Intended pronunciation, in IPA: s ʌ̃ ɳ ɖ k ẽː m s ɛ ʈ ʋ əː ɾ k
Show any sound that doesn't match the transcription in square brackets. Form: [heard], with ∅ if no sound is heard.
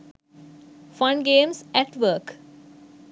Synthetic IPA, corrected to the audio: [f] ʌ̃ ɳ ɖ [ɡ] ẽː m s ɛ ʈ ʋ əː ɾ k